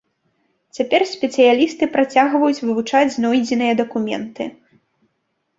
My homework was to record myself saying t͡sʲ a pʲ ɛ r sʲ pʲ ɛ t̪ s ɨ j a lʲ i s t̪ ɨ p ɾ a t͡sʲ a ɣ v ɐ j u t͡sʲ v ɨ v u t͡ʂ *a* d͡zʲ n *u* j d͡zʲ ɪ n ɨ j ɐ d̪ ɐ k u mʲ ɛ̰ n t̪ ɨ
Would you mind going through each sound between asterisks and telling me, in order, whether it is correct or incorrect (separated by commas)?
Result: correct, incorrect